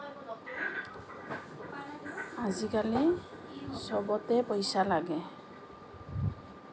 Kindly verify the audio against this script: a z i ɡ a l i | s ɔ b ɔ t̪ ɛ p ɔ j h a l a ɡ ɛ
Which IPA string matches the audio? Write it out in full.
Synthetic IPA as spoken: a z i k a l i | s ɔ b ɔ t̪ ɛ p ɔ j s a l a ɡ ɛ